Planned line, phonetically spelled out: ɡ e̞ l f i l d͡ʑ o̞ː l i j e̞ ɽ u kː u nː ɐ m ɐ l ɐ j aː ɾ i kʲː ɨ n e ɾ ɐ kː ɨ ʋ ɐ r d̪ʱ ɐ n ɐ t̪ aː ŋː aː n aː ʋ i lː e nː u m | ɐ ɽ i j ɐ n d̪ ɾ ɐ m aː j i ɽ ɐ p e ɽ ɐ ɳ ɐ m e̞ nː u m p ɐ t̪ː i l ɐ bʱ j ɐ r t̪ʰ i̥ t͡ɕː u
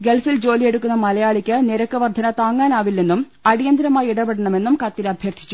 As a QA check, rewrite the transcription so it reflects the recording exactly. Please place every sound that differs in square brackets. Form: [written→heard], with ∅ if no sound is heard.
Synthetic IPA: ɡ e̞ l f i l d͡ʑ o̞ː l i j e̞ ɽ u kː u nː ɐ m ɐ l ɐ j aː [ɾ→ɭ] i kʲː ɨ n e ɾ ɐ kː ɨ ʋ ɐ r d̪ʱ ɐ n ɐ t̪ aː ŋː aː n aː ʋ i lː e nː u m | ɐ ɽ i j ɐ n d̪ ɾ ɐ m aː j i ɽ ɐ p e ɽ ɐ ɳ ɐ m e̞ nː u m [p→k] ɐ t̪ː i l ɐ bʱ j ɐ r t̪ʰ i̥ t͡ɕː u